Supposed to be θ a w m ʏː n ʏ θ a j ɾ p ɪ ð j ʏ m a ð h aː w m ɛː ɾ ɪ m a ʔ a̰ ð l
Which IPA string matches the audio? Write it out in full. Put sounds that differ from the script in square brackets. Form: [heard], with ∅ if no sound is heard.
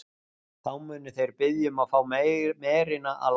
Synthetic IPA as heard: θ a w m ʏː n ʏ θ [e] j ɾ p ɪ ð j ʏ m a ð [f] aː w m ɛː ɾ ɪ [n] a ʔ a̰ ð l